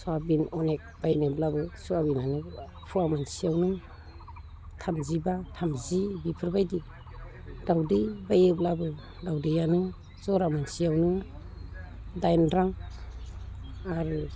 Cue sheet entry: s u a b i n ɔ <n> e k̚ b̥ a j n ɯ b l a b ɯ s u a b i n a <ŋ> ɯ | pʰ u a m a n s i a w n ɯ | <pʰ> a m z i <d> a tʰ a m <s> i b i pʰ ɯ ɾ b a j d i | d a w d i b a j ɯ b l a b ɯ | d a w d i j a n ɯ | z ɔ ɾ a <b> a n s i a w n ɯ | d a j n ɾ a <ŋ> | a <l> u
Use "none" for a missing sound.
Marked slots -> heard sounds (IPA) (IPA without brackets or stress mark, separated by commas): n, n, tʰ, b, z, m, ŋ, ɾ